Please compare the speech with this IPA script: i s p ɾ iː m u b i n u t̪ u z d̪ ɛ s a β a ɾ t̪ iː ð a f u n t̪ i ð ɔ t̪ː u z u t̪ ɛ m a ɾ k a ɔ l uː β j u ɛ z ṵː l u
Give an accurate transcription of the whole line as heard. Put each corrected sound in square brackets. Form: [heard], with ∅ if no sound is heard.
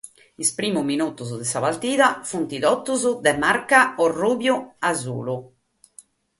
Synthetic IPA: i s p ɾ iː m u [m] i n u t̪ u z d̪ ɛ s a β a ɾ t̪ iː ð a f u n t̪ i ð ɔ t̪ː u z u [d̪] ɛ m a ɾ k a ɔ [r] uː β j u [a] z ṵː l u

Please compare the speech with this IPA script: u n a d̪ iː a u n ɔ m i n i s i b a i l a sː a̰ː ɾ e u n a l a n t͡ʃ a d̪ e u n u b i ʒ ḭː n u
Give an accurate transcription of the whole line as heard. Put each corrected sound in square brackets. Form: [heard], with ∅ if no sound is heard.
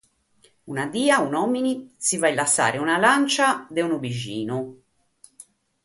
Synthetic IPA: u n a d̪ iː a u n ɔ m i n i s i [v] a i l a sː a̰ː ɾ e u n a l a n t͡ʃ a d̪ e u n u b i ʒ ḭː n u

